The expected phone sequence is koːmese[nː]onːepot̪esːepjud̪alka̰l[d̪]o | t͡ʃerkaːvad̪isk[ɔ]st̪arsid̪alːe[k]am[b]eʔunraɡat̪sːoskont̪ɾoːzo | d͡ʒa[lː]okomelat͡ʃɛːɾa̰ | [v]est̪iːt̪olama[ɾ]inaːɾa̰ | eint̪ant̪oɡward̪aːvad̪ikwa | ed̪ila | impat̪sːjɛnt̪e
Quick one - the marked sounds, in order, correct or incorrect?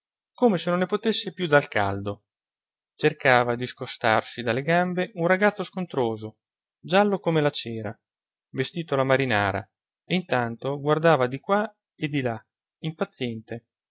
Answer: incorrect, correct, incorrect, incorrect, correct, correct, correct, correct

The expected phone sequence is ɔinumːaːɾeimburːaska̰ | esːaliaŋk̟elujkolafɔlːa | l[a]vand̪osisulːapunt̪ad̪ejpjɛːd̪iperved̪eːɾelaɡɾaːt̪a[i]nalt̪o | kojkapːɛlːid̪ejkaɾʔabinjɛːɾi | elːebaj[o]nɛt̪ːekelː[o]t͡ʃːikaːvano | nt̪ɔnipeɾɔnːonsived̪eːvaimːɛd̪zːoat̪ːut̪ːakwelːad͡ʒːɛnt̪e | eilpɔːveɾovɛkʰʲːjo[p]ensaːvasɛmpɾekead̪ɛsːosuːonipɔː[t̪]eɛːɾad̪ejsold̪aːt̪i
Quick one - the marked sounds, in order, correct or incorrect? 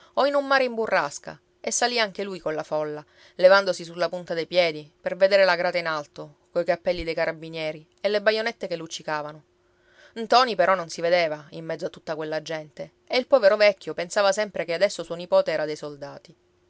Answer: incorrect, correct, correct, incorrect, correct, correct

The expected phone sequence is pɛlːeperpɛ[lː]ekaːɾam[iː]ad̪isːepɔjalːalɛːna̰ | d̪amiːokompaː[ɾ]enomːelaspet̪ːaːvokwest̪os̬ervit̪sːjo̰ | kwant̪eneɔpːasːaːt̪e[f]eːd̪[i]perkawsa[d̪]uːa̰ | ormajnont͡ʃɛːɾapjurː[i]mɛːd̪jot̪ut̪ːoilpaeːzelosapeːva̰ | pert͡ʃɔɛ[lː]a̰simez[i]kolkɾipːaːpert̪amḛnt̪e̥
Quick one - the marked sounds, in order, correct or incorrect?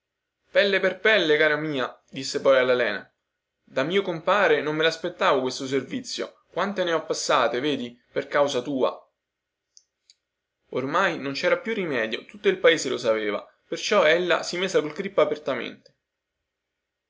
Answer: correct, correct, correct, incorrect, correct, incorrect, correct, correct, incorrect

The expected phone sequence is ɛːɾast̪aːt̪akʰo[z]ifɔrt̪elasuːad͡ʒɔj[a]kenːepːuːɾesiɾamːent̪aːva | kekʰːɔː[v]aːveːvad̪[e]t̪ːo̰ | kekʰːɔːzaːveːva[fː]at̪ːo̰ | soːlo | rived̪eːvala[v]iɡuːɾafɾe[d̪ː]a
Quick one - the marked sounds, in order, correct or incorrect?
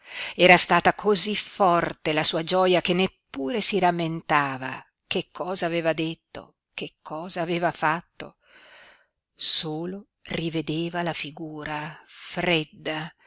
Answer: correct, correct, incorrect, correct, incorrect, incorrect, correct

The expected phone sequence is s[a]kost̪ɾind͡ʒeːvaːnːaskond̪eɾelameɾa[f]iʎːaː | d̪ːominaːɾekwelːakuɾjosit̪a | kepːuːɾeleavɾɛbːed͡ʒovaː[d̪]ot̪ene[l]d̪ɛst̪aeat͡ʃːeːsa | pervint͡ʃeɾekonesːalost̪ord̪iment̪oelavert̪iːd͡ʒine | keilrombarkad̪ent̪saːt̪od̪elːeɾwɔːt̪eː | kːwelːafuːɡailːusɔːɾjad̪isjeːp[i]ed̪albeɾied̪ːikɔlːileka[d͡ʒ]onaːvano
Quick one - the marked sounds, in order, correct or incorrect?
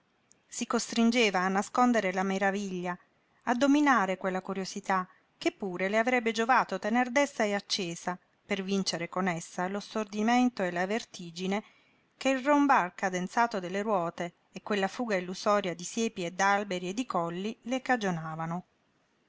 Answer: incorrect, incorrect, incorrect, incorrect, correct, correct

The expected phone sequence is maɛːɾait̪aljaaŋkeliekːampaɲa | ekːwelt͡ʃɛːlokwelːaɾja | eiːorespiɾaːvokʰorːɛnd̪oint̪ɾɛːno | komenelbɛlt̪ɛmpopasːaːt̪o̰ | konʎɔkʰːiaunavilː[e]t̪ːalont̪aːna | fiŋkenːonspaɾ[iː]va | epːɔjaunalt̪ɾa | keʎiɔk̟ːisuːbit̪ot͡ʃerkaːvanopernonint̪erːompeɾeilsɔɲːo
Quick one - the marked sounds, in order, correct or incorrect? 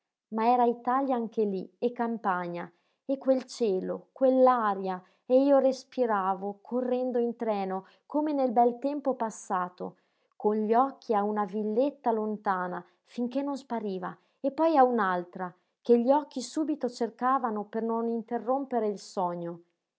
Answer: correct, correct

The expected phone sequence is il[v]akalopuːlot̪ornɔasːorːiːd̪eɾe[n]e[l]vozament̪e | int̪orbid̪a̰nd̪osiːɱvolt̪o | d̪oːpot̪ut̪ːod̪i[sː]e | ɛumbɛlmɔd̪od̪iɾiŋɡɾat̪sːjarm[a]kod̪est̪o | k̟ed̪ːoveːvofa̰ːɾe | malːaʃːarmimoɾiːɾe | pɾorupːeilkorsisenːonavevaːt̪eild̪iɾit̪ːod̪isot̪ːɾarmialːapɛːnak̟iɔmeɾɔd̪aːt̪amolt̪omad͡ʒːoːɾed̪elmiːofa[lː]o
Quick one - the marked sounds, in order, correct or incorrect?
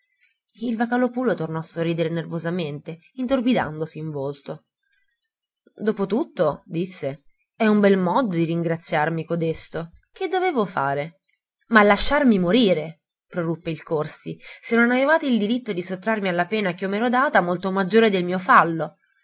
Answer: correct, correct, incorrect, correct, incorrect, correct

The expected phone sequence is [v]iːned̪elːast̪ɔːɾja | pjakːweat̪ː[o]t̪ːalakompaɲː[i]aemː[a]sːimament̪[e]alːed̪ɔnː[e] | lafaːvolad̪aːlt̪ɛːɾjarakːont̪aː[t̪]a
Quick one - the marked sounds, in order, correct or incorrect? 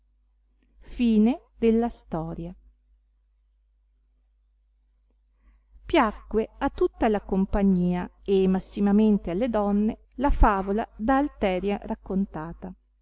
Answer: incorrect, incorrect, incorrect, correct, correct, correct, correct

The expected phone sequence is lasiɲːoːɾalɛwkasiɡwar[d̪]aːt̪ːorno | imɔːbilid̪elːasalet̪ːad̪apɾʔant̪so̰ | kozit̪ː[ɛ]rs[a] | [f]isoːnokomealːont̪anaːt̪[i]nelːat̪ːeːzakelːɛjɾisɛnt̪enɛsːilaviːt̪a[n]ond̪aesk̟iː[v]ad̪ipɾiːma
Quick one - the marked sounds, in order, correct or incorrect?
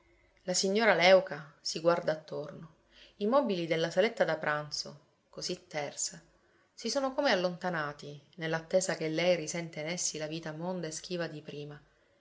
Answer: correct, correct, correct, incorrect, correct, incorrect, correct

